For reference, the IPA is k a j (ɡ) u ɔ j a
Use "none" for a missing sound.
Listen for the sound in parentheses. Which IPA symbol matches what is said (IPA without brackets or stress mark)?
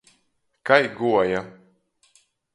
ɡ